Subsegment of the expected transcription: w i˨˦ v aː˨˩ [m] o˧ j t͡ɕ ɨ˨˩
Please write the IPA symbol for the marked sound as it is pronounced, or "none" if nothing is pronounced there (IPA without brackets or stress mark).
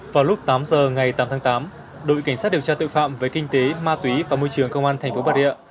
m